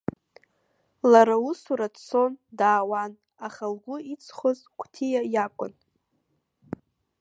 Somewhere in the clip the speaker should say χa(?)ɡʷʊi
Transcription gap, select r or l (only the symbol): l